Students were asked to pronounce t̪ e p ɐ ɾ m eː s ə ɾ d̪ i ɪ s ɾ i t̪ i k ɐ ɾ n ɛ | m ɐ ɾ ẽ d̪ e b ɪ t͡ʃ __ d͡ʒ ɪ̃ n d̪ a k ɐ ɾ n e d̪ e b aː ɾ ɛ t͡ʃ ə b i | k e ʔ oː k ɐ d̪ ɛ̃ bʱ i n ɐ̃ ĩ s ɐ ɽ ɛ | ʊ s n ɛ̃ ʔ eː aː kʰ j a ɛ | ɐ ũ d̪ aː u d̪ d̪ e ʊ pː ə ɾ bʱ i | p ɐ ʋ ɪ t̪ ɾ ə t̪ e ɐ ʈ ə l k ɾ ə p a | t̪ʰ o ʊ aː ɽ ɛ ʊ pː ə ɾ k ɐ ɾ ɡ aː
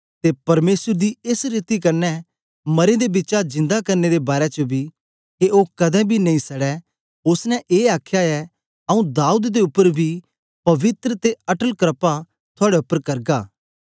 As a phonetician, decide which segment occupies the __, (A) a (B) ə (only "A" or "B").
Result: A